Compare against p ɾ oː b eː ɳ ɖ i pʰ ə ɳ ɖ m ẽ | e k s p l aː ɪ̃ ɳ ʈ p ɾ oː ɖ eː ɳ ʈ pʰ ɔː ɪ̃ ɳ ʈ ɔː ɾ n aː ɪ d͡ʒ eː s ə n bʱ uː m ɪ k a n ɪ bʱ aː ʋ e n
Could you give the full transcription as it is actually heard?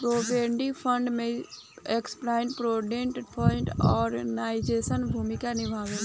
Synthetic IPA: p ɾ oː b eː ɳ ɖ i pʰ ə ɳ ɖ m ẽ | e k s p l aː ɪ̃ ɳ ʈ p ɾ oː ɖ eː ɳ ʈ pʰ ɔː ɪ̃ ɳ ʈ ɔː ɾ n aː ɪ d͡ʒ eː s ə n bʱ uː m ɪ k a n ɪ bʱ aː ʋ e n